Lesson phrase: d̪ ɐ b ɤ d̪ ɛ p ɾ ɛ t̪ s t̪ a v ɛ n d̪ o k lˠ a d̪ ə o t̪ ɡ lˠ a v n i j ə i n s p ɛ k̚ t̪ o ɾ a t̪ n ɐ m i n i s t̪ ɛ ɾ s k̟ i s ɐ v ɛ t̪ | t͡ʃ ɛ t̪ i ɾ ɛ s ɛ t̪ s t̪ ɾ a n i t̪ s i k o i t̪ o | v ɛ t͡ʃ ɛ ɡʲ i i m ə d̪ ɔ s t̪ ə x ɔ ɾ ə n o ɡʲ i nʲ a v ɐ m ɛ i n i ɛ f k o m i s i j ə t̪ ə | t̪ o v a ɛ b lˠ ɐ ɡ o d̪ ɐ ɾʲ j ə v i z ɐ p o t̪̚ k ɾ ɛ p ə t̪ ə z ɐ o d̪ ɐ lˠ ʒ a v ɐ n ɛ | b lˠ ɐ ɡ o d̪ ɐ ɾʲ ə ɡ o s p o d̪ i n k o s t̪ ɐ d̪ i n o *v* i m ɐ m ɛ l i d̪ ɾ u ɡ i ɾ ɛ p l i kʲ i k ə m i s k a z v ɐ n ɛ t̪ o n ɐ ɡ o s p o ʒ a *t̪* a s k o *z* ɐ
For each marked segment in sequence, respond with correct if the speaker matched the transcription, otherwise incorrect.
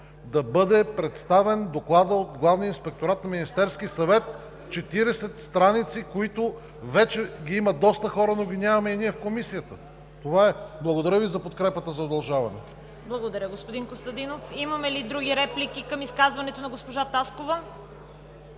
incorrect: f, correct, incorrect: v

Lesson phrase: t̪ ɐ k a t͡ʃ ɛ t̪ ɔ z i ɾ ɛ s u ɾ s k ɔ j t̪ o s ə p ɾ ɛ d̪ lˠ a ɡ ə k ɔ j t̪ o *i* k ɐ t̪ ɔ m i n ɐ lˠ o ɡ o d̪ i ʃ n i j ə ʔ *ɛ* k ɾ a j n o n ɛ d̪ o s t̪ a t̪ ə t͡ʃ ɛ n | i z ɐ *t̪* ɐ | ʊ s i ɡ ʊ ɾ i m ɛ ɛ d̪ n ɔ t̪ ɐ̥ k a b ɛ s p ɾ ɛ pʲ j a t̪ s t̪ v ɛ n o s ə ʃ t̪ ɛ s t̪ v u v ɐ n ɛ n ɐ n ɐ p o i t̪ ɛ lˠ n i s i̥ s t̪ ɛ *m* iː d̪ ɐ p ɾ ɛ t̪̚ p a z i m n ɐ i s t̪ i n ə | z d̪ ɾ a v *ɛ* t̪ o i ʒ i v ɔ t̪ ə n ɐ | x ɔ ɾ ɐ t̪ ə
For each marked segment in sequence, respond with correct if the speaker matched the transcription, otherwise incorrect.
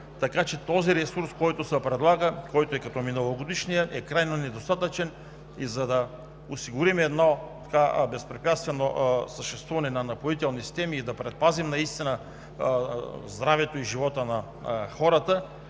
incorrect: ɛ, correct, incorrect: d̪, correct, correct

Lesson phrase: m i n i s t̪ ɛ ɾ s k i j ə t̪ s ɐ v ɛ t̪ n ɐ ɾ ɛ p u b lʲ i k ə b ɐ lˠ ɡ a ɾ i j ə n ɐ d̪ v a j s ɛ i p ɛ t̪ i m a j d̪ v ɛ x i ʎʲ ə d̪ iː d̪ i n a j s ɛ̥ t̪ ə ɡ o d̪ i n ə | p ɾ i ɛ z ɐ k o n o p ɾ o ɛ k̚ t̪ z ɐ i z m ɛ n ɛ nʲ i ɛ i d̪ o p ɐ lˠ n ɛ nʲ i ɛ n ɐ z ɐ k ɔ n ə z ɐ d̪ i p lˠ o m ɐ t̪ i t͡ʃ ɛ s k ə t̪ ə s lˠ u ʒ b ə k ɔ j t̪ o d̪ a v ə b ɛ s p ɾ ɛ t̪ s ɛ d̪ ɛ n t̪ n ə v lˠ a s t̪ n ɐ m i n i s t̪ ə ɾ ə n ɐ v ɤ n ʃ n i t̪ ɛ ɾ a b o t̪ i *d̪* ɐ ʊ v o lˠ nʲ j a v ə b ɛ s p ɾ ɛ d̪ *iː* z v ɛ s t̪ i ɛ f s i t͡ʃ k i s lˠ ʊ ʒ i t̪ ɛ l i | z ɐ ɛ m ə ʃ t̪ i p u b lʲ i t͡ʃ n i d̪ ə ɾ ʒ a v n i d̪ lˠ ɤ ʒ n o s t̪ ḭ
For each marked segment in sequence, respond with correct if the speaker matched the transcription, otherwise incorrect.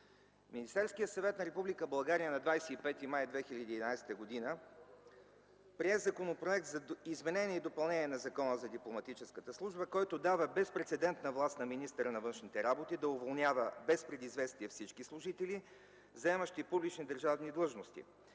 correct, incorrect: i

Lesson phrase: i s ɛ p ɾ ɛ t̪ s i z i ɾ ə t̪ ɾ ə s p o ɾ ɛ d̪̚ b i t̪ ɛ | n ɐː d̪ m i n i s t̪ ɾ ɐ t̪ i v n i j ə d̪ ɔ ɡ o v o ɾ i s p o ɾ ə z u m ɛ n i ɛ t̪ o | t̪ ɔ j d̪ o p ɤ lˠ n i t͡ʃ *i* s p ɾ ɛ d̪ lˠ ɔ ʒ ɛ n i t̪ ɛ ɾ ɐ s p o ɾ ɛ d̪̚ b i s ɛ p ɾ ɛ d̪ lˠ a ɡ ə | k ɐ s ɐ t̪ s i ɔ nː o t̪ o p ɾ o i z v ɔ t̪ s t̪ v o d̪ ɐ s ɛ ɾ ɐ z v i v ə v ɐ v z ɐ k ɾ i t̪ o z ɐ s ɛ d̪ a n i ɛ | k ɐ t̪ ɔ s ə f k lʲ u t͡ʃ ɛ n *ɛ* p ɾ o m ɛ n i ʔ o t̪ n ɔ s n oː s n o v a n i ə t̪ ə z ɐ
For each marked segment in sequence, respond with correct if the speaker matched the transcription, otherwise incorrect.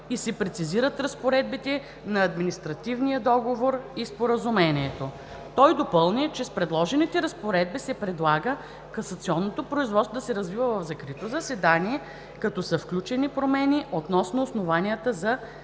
incorrect: ɛ, incorrect: i

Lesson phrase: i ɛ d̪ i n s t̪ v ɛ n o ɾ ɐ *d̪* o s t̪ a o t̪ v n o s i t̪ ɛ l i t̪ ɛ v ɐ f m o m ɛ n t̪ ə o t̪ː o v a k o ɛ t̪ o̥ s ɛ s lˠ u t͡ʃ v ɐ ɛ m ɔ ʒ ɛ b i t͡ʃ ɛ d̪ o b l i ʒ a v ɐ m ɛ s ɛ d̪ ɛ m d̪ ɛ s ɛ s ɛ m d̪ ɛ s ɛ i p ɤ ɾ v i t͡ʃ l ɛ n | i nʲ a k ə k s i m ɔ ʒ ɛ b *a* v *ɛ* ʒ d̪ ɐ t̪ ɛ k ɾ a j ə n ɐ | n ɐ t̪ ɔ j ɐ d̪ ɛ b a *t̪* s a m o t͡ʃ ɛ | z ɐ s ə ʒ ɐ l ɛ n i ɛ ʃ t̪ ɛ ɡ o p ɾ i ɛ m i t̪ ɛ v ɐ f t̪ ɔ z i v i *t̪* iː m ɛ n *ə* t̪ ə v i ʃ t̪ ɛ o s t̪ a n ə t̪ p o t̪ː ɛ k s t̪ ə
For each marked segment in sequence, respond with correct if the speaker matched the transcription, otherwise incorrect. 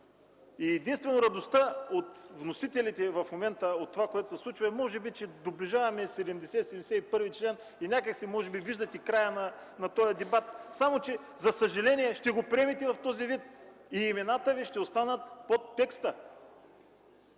correct, incorrect: i, incorrect: i, correct, correct, incorrect: a

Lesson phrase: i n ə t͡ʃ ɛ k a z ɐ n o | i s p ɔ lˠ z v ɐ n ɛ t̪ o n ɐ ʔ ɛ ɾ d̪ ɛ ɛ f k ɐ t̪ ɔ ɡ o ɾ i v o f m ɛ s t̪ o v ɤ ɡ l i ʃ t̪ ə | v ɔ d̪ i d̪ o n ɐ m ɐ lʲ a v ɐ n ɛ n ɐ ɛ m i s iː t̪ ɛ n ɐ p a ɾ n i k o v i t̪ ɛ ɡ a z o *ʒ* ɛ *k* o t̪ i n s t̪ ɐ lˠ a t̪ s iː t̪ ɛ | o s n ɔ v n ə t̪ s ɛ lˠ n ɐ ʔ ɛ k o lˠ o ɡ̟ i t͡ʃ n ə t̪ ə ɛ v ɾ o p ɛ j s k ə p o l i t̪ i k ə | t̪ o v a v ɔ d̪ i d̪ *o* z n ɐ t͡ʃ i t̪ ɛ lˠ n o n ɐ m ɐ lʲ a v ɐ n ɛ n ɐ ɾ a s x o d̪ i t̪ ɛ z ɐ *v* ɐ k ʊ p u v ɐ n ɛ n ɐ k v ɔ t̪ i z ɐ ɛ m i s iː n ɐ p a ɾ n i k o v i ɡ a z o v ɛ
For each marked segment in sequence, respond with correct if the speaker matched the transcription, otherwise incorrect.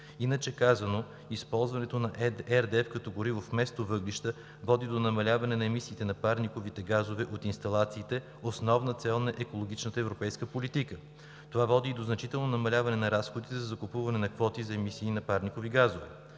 incorrect: v, incorrect: ʔ, correct, incorrect: z

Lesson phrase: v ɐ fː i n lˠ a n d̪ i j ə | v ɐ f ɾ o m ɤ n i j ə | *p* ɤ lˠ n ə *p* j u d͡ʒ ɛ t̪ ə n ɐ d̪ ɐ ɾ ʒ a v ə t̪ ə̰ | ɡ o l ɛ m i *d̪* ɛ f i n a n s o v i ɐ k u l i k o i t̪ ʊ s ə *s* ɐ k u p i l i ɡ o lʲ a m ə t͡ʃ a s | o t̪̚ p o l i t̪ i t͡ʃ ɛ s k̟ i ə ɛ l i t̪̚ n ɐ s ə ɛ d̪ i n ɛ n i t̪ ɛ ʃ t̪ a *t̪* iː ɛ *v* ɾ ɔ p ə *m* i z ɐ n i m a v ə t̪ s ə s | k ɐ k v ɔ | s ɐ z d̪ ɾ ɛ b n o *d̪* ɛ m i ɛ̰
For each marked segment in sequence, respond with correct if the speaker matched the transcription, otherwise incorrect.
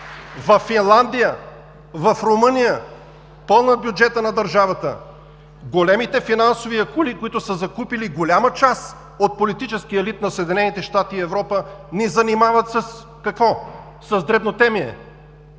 correct, incorrect: b, incorrect: t̪, incorrect: z, correct, correct, incorrect: n, incorrect: t̪

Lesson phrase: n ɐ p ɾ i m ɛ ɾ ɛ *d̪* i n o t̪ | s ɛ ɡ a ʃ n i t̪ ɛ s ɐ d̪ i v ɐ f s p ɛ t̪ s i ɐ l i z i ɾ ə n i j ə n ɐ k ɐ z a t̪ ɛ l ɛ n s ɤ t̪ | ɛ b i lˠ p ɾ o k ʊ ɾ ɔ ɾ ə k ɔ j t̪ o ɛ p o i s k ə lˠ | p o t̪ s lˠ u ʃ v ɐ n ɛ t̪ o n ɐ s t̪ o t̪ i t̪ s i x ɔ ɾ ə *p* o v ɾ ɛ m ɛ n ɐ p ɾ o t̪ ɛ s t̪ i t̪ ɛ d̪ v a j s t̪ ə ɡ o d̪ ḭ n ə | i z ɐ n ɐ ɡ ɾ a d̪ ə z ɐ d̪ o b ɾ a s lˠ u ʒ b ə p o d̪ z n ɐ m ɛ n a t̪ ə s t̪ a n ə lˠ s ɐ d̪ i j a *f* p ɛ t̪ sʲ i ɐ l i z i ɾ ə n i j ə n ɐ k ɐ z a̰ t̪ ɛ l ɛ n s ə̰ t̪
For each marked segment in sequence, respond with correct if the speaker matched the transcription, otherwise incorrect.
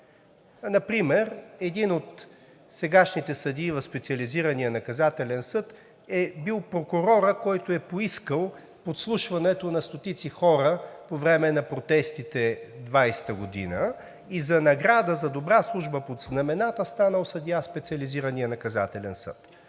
correct, correct, incorrect: s

